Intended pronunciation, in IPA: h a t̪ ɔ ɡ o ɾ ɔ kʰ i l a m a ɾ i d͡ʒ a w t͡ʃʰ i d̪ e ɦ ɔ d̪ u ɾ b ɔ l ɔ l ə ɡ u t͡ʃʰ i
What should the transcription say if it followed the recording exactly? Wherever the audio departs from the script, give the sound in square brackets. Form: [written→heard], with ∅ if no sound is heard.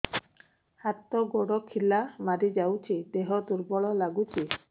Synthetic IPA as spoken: h a t̪ ɔ ɡ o [ɾ→ɽ] ɔ kʰ i l a m a ɾ i d͡ʒ a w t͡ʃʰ i d̪ e ɦ ɔ d̪ u ɾ b ɔ [l→ɭ] ɔ l [ə→a] ɡ u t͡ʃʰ i